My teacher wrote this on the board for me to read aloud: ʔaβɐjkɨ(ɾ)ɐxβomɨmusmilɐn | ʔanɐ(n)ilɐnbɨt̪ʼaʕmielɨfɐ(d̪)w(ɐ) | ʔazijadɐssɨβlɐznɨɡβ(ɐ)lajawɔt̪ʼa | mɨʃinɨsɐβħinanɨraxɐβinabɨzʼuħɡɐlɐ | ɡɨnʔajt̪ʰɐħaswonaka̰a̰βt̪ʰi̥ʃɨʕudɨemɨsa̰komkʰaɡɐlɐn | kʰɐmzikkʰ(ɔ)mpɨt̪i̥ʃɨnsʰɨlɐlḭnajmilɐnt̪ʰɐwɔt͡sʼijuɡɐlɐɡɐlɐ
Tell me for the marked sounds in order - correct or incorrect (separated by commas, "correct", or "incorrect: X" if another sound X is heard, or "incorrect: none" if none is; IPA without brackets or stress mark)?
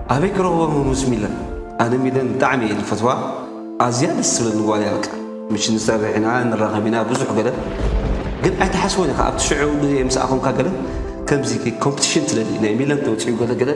correct, incorrect: m, incorrect: t̪, incorrect: a, incorrect: a, incorrect: o